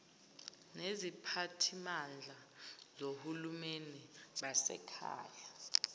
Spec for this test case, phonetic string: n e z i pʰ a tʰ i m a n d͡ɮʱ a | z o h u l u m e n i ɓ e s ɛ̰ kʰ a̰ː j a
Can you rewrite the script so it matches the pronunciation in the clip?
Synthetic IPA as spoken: n e z i pʰ a tʰ i m a n d͡ɮʱ a | z o h u l u m e n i ɓ a s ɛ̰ kʰ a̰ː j a